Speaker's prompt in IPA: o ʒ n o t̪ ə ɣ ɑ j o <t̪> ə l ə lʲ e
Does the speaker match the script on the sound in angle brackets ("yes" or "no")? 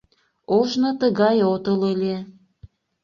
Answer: yes